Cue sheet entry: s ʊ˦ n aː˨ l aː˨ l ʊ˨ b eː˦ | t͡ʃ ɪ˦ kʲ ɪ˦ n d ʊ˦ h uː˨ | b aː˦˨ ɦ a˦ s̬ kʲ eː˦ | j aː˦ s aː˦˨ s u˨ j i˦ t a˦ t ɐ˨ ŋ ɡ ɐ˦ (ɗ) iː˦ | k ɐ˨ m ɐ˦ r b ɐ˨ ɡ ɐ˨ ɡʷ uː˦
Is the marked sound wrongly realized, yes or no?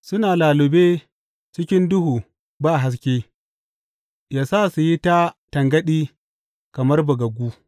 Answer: no